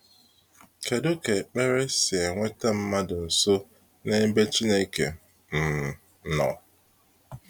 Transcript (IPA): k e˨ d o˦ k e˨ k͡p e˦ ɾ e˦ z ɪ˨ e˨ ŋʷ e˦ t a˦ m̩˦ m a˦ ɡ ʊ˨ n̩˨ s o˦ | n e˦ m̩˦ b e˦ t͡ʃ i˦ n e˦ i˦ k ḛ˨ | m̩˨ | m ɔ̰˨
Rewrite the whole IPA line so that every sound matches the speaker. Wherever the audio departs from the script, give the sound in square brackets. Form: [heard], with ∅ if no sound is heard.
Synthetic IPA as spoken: k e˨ d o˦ k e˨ k͡p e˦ ɾ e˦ [s] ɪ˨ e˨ ŋʷ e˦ t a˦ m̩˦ m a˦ [d] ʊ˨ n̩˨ s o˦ | n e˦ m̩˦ b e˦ t͡ʃ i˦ n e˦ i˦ k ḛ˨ | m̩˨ | [n] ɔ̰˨